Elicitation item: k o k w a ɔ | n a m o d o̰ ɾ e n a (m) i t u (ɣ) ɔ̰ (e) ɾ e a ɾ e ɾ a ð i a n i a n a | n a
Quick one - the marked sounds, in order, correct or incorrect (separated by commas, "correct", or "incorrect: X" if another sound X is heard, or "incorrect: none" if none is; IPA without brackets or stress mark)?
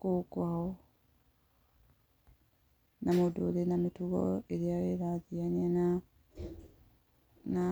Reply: correct, correct, correct